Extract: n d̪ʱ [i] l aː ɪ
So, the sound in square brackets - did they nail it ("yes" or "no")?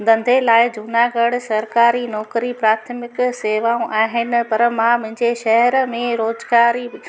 no